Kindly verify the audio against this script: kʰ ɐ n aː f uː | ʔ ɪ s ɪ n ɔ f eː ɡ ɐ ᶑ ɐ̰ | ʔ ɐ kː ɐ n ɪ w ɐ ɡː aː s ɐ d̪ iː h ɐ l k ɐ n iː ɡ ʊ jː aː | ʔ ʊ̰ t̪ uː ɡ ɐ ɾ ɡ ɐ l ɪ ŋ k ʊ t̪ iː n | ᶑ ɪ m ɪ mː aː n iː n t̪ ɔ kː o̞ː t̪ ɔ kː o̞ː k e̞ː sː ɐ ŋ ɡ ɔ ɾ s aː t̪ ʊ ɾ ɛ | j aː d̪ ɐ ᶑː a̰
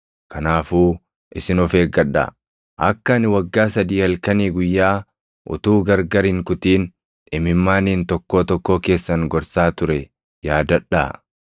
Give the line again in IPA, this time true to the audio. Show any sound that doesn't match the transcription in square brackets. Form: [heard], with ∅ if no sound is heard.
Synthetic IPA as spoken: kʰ ɐ n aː f uː | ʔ ɪ s ɪ n ɔ f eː ɡ ɐ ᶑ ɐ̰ | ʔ ɐ kː ɐ n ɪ w ɐ ɡː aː s ɐ d̪ iː h ɐ l k ɐ n iː ɡ ʊ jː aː | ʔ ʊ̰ t̪ uː ɡ ɐ ɾ ɡ ɐ [ɾ] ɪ ŋ k ʊ t̪ iː n | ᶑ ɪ m ɪ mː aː n iː n t̪ ɔ kː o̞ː t̪ ɔ kː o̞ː k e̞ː sː ɐ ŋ ɡ ɔ ɾ s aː t̪ ʊ ɾ ɛ | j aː d̪ ɐ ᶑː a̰